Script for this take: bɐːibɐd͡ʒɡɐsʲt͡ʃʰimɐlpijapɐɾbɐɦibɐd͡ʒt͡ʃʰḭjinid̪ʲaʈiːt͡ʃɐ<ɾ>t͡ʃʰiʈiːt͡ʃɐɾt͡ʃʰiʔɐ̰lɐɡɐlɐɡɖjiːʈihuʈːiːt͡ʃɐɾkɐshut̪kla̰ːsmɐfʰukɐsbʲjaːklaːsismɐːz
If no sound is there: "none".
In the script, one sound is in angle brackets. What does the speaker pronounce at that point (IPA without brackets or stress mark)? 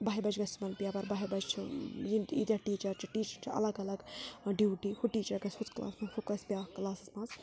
ɾ